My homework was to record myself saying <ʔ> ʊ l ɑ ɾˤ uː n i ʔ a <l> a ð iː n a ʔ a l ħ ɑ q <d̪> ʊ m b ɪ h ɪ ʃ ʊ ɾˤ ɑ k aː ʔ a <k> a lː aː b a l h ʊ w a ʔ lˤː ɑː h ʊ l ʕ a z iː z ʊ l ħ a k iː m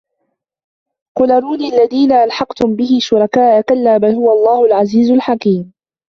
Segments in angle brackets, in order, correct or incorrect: incorrect, incorrect, incorrect, correct

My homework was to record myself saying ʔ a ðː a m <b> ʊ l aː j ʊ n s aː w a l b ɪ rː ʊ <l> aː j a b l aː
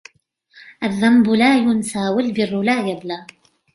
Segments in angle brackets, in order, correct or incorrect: correct, correct

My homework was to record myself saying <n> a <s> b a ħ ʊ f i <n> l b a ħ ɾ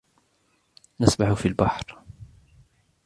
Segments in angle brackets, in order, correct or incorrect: correct, correct, incorrect

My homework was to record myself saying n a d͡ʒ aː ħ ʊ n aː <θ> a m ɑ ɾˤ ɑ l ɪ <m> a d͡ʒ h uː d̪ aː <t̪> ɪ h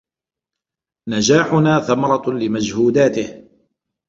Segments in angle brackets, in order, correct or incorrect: correct, correct, correct

